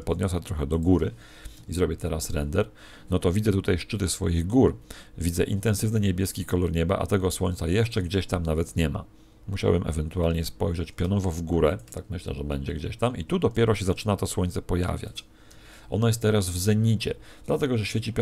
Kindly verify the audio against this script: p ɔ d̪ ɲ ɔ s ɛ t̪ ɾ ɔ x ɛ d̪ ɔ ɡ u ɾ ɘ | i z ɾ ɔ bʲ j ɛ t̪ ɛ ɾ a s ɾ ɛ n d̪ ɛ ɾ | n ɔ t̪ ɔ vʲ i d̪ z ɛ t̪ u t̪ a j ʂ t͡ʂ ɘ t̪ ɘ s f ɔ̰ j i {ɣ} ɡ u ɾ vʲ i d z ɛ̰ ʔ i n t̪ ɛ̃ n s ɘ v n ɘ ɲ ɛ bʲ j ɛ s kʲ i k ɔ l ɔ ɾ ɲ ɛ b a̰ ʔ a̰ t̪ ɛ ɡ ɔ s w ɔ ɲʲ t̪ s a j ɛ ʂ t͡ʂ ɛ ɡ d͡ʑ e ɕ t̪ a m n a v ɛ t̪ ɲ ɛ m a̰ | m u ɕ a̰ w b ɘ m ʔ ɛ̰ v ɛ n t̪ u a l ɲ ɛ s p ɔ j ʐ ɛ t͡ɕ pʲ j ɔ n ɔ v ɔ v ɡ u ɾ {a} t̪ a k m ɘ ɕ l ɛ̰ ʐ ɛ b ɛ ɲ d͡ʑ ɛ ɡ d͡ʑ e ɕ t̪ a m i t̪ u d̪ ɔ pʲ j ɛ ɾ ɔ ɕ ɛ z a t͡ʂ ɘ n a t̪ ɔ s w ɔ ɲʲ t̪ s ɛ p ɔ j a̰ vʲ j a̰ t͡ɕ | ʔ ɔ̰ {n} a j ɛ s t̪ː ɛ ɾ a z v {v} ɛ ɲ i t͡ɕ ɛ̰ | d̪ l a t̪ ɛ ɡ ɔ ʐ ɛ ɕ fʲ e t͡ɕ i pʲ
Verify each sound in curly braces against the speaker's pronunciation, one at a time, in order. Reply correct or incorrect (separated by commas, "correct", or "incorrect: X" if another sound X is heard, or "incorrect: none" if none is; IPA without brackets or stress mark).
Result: correct, incorrect: ɛ, correct, incorrect: z